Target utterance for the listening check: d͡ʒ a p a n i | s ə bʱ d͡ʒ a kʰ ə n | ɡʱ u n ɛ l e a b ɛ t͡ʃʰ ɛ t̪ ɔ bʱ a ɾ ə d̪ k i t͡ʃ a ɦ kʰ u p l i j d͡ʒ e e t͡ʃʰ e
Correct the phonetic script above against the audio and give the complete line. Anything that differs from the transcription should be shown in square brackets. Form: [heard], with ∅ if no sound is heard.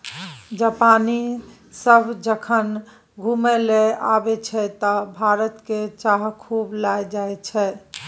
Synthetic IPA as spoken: d͡ʒ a p a n i | s ə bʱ d͡ʒ [ə] kʰ ə n | ɡʱ u [m] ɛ l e a b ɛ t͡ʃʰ ɛ t̪ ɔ bʱ a ɾ ə [t̪] k [e] t͡ʃ a ɦ kʰ u [b] l [a] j d͡ʒ [a] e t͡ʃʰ [ɛ]